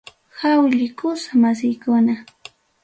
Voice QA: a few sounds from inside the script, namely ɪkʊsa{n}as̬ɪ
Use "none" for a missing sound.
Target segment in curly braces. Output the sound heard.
m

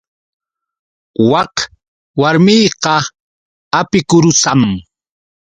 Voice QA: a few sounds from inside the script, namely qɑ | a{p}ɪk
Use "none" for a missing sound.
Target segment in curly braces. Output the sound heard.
p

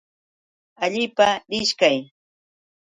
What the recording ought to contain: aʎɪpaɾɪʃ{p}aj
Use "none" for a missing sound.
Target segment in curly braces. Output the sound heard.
k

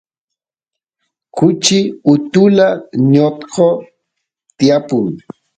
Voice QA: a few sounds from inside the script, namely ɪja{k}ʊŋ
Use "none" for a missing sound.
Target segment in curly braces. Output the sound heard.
p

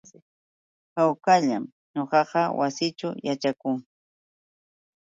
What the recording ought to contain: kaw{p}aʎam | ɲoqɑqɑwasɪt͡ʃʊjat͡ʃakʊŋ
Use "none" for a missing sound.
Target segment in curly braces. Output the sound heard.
k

